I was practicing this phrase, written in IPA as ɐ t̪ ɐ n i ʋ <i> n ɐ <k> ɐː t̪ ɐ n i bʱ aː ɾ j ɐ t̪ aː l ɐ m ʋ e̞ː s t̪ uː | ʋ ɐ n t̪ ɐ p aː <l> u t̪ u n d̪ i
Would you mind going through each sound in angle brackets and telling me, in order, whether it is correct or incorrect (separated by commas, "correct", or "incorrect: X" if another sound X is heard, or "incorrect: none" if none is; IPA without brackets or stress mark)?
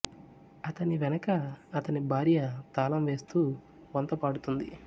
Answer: incorrect: ɛ, correct, incorrect: ɽ